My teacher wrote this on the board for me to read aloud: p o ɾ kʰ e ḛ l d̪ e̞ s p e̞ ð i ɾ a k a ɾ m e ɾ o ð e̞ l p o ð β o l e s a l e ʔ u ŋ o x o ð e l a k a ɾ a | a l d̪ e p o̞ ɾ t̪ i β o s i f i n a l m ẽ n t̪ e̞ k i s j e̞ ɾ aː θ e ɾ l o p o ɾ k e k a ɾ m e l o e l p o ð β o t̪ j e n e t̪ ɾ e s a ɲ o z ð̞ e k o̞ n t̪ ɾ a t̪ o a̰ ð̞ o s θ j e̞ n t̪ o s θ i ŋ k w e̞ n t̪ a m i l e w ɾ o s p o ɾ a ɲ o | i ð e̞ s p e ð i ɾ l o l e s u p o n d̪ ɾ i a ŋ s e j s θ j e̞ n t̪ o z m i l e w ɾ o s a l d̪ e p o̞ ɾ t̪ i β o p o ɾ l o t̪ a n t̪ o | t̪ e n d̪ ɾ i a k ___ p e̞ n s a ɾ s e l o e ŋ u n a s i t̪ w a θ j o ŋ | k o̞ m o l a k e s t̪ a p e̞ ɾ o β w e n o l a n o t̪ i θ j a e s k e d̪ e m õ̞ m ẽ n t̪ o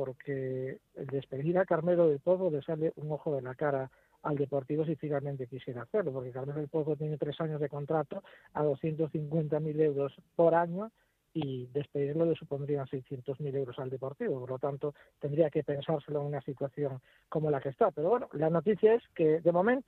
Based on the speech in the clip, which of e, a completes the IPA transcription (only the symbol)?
e